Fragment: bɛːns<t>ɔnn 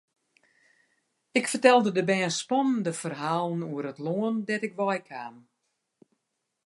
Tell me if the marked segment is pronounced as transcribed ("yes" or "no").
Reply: no